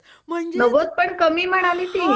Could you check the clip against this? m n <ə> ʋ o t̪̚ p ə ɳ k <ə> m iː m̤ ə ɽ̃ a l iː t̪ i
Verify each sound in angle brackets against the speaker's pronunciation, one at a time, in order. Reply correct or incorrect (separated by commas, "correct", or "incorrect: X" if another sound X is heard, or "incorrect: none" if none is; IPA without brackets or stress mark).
correct, correct